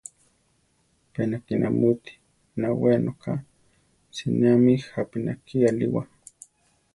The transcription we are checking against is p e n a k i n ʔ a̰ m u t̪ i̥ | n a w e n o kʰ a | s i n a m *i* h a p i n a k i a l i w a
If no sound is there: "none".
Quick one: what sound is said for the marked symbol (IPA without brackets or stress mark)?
i